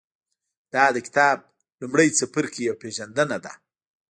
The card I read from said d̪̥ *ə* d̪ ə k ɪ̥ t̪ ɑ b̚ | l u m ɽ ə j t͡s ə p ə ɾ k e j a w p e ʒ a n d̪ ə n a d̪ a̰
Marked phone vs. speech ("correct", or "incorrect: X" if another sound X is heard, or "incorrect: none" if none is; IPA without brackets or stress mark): incorrect: ɑ